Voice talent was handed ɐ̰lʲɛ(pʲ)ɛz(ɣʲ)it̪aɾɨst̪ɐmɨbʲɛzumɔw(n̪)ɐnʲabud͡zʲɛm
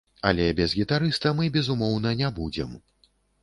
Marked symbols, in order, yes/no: no, yes, yes

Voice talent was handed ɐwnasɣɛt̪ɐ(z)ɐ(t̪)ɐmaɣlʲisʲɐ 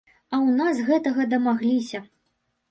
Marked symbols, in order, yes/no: no, no

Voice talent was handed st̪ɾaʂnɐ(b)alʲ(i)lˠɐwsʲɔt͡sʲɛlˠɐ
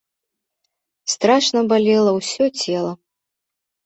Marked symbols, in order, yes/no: yes, no

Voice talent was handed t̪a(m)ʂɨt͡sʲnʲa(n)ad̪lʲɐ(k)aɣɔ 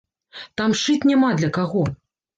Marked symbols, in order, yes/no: yes, no, yes

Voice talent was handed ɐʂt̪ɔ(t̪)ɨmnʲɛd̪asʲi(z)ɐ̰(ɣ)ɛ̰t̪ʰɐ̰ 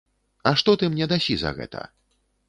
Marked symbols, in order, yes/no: yes, yes, yes

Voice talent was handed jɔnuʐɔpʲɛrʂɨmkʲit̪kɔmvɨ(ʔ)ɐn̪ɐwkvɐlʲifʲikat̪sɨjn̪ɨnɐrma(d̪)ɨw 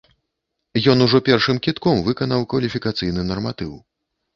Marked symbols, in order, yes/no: no, no

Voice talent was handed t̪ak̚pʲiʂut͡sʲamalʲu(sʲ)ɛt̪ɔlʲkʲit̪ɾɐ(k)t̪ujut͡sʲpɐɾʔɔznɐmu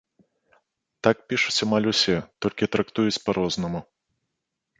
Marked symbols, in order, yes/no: yes, yes

